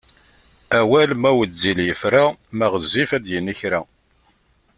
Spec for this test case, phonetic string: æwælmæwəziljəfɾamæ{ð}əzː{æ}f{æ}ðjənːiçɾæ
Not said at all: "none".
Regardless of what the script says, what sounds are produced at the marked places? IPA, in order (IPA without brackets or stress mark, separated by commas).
ʁ, i, æ